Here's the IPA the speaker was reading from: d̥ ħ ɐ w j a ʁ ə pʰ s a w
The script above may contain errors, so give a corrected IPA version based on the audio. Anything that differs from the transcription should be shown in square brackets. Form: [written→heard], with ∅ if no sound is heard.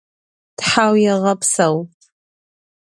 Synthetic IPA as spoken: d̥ ħ [ɐ→a] w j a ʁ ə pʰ s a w